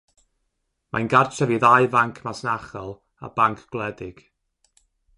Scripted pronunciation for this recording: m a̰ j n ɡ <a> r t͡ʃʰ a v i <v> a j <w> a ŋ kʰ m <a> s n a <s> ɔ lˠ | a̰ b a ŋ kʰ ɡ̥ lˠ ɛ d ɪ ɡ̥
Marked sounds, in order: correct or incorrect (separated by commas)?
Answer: correct, incorrect, incorrect, correct, incorrect